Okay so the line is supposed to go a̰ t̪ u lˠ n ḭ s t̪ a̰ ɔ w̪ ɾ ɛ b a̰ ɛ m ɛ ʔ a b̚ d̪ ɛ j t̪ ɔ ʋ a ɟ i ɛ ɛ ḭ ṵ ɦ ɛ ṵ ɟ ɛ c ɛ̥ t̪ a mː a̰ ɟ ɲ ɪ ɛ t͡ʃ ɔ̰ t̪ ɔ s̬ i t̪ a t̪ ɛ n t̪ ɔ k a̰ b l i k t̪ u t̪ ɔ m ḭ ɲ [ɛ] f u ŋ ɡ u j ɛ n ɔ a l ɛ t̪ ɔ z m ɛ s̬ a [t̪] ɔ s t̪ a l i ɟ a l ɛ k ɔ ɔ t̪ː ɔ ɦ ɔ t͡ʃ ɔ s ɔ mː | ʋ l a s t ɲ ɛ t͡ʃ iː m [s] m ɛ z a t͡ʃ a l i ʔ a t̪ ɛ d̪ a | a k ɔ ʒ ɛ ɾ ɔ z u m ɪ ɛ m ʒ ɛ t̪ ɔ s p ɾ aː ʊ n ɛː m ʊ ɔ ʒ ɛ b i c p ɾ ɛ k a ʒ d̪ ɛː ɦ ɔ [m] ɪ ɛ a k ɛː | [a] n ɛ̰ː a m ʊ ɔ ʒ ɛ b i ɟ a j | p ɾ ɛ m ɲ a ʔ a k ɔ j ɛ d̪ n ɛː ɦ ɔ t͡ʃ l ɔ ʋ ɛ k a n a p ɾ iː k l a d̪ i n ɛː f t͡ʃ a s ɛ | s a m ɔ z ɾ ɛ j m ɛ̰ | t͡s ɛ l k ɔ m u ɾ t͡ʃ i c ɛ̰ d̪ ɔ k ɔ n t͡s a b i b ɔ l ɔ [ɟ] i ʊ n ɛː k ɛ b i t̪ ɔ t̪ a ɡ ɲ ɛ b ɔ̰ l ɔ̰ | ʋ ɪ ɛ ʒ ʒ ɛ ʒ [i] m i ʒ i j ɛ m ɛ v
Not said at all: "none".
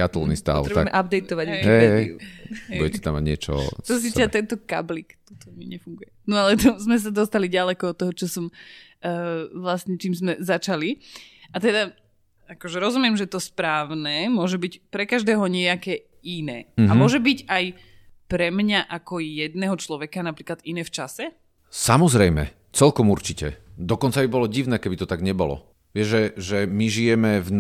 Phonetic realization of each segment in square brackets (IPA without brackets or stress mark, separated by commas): ɛ, d̪, z, ɲ, i, ɟ, ɛ